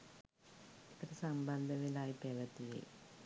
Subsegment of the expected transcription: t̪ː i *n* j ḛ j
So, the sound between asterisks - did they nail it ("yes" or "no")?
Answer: no